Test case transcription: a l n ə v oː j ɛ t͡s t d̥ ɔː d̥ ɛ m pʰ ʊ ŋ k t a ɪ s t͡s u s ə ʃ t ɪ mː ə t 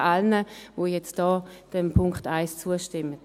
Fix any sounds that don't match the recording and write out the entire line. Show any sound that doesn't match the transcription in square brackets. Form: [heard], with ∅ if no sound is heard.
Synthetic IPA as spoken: a l n ə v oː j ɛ t͡s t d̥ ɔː d̥ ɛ m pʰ ʊ ŋ k t a ɪ s t͡s u [∅] ə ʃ t ɪ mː ə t